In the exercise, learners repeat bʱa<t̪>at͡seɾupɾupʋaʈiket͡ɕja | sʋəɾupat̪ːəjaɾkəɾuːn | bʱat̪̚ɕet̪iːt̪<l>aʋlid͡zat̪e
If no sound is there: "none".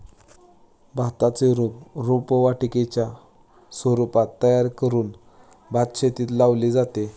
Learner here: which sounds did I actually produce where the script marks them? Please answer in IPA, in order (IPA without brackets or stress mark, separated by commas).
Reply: t̪, l